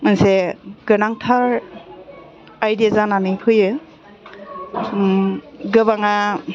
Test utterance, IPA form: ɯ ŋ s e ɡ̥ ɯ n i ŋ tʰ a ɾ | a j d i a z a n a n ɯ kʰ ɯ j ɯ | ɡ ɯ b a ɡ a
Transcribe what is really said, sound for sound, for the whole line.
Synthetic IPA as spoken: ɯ n s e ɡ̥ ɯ n a ŋ tʰ a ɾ | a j d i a z a n a n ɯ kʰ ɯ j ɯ | ɡ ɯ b a ŋ a